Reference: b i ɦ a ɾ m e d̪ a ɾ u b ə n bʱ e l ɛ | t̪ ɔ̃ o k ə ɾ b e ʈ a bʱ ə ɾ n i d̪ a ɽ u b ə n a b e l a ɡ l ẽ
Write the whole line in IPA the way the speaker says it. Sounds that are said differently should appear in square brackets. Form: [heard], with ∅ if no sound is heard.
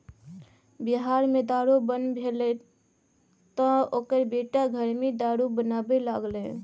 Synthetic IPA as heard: b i ɦ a ɾ m e d̪ a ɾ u b ə n bʱ e l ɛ | t̪ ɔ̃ o k ə ɾ b e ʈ a [ɡʱ] ə ɾ [m] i d̪ a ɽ u b ə n a b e l a ɡ l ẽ